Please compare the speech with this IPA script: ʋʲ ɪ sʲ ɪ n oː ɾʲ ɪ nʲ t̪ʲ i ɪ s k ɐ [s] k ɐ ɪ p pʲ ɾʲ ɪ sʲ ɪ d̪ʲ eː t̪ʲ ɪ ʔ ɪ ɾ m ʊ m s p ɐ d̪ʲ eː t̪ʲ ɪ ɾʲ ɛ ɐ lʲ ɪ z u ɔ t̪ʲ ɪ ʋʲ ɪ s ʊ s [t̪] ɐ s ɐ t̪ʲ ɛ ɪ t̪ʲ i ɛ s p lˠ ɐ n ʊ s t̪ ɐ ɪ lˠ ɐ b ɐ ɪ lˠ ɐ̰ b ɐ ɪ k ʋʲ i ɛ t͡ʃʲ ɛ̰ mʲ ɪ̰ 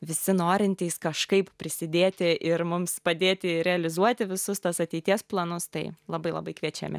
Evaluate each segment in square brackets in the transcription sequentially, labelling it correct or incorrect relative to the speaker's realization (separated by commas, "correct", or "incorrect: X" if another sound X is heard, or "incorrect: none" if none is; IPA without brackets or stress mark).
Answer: incorrect: ʃ, correct